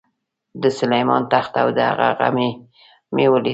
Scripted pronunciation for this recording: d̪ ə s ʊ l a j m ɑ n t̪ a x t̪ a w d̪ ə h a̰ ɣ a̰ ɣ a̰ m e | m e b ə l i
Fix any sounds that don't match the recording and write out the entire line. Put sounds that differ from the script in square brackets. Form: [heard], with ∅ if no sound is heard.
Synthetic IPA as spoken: d̪ ə s ʊ l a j m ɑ n t̪ a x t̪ a w d̪ ə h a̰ ɣ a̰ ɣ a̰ m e | m e [w] ə l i